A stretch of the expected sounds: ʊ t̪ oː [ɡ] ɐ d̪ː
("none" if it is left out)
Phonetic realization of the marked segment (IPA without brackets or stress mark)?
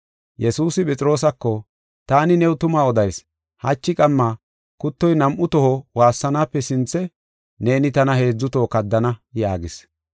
k